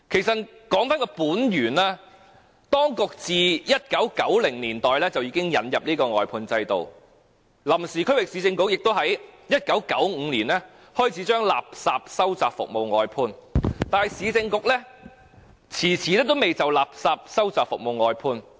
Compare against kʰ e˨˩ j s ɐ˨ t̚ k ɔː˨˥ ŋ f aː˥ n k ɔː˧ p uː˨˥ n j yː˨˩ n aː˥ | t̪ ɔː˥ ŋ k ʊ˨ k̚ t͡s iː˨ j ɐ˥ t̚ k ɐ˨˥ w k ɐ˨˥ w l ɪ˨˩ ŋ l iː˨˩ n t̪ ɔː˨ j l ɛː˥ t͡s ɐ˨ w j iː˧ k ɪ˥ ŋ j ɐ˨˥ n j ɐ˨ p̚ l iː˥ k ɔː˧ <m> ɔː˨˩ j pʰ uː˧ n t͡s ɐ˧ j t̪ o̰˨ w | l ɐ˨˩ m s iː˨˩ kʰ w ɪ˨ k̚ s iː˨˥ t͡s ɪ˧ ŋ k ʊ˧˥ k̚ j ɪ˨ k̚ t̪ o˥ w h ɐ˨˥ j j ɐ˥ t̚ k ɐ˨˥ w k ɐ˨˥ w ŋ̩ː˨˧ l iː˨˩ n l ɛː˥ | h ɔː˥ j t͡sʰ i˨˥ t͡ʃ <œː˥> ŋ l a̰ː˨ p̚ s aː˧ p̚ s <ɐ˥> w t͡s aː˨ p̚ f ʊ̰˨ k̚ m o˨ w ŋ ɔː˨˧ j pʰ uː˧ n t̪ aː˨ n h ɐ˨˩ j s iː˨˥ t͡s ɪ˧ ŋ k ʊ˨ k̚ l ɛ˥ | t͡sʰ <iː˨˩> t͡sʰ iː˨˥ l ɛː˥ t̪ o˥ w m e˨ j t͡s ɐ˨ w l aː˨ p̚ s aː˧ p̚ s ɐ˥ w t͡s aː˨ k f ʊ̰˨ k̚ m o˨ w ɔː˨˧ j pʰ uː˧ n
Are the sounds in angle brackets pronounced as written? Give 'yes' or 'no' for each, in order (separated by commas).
no, yes, yes, yes